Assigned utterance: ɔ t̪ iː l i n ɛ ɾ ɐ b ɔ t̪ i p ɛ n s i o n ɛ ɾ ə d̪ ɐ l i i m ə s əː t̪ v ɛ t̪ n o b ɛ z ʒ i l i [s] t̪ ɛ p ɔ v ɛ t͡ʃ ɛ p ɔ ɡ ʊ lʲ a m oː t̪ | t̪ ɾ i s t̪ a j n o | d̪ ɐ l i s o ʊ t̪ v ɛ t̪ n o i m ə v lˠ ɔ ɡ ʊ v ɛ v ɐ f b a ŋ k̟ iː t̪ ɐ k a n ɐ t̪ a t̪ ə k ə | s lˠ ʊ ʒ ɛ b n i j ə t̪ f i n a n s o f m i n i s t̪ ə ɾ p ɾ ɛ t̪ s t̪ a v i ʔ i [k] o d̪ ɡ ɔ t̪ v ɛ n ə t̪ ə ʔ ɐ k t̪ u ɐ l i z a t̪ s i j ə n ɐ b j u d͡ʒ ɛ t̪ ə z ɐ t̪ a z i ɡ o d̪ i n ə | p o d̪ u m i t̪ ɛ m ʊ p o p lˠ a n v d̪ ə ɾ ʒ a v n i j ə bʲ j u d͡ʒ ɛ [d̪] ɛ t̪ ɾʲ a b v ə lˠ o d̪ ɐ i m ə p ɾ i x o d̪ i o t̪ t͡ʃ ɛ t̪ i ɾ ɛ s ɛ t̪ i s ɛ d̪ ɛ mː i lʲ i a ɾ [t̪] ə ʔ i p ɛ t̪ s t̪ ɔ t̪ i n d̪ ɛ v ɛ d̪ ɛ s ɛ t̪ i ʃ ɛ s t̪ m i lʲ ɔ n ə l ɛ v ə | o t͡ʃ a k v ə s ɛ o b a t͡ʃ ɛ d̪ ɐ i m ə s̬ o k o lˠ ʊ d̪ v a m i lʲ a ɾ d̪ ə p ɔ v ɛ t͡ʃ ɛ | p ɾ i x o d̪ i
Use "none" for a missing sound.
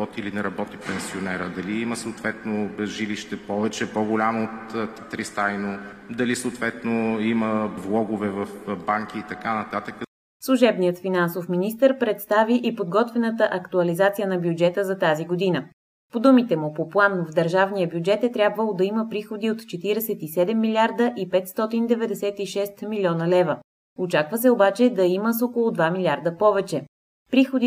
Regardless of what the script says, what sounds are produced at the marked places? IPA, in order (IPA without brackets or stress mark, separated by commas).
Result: ʃ, p, t̪, d̪